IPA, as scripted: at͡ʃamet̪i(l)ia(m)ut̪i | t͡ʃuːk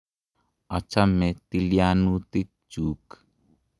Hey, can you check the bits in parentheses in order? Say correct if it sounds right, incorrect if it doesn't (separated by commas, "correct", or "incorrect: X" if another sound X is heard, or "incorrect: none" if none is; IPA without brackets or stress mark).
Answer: correct, incorrect: n